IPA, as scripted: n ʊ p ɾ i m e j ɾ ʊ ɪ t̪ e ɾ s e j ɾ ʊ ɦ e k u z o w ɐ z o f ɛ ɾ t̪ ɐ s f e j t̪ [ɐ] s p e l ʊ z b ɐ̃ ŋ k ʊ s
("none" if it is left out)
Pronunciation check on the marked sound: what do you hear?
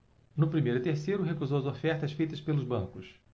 ɐ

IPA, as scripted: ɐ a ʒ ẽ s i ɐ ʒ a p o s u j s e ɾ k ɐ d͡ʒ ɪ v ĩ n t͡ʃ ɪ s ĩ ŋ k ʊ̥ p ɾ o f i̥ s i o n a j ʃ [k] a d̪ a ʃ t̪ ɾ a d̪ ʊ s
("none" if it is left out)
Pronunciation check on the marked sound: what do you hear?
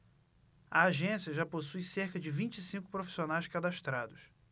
k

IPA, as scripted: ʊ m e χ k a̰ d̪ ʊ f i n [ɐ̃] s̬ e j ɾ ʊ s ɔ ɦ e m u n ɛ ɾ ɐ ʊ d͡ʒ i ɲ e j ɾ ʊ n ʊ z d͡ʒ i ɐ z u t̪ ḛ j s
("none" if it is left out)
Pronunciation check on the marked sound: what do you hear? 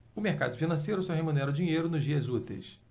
ɐ̃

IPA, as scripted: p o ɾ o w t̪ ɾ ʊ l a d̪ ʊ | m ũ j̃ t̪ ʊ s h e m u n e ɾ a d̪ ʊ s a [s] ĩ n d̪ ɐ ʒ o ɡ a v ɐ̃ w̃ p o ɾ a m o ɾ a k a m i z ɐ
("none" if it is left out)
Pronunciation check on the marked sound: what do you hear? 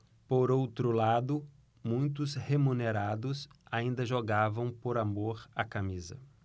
none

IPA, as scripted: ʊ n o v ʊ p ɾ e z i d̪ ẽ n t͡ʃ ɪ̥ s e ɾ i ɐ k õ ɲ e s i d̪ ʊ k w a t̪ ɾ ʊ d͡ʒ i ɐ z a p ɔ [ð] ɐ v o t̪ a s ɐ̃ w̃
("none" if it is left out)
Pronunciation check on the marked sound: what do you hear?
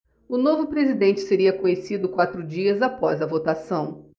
z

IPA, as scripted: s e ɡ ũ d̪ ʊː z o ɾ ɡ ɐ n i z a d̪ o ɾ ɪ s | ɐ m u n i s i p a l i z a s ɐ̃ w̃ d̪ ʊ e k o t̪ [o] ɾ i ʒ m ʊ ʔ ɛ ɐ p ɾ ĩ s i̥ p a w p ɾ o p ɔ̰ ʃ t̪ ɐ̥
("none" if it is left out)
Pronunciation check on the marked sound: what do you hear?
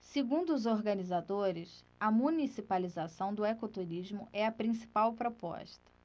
u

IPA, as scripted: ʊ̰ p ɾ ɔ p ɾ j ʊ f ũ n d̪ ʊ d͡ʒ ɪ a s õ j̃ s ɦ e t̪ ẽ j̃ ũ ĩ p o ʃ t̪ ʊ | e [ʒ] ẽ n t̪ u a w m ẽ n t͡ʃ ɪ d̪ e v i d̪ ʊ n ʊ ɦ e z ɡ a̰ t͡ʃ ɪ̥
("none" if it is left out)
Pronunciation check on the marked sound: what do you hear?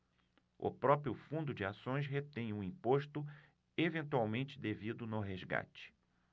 v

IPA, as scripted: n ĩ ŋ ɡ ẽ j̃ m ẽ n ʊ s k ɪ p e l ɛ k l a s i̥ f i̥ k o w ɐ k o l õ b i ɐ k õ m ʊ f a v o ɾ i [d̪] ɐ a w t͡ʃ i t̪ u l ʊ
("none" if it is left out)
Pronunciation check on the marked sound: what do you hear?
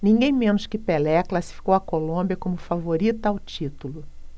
t̪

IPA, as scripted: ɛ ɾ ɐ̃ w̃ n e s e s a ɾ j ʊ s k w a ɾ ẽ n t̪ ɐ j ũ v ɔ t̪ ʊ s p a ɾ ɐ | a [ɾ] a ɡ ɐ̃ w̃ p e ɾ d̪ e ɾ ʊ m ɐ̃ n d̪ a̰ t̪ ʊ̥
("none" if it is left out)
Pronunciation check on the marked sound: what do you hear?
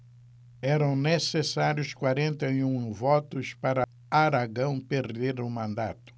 ɾ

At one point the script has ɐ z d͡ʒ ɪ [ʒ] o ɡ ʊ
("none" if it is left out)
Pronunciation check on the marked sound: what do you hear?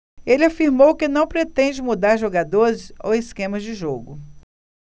ʒ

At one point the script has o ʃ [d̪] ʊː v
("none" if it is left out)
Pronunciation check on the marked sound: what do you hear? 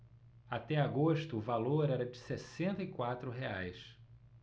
t̪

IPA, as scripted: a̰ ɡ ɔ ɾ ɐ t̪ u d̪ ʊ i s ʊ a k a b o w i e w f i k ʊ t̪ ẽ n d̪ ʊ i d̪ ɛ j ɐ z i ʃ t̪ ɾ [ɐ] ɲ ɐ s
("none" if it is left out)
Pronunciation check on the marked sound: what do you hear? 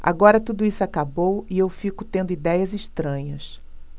ɐ̃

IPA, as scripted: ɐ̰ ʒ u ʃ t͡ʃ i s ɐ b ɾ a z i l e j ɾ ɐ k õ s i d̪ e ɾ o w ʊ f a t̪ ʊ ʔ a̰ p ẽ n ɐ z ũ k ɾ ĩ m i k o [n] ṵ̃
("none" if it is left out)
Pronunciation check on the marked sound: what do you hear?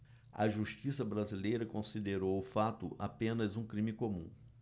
m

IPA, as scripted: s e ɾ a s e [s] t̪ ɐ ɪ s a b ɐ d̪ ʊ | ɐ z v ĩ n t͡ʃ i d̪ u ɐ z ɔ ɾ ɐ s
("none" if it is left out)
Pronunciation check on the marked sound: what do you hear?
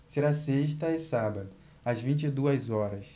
ʃ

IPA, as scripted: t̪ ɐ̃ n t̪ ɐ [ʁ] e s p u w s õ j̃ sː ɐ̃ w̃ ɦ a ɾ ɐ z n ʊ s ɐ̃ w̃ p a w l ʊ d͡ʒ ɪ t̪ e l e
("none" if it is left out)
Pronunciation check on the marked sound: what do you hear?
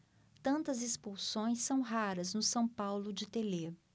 z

